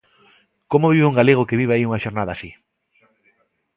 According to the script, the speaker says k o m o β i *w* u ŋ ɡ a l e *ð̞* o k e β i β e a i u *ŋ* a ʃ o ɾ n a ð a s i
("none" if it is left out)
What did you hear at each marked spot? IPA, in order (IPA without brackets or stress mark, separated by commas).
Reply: β, ɣ̞, ŋ